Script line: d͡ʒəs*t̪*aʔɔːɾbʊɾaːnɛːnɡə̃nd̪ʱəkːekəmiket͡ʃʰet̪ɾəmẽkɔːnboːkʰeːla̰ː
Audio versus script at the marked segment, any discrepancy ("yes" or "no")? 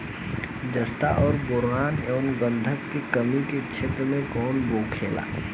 no